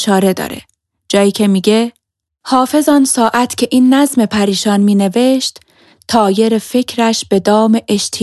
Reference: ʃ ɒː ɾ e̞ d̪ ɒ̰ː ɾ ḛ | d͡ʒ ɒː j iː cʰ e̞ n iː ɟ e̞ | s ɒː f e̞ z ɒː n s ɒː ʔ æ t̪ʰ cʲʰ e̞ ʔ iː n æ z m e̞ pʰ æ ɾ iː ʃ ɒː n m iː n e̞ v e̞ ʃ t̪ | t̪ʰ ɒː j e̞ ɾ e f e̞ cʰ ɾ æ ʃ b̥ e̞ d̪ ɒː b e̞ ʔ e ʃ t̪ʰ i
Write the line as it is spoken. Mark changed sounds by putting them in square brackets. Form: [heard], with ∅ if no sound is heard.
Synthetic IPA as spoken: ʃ ɒː ɾ e̞ d̪ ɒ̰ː ɾ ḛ | d͡ʒ ɒː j iː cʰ e̞ [m] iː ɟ e̞ | [h] ɒː f e̞ z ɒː n s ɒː ʔ æ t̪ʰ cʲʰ e̞ ʔ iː [nː] æ z m e̞ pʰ æ ɾ iː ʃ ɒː n m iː n e̞ v e̞ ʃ t̪ | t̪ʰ ɒː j e̞ ɾ e f e̞ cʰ ɾ æ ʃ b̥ e̞ d̪ ɒː [m] e̞ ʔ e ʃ t̪ʰ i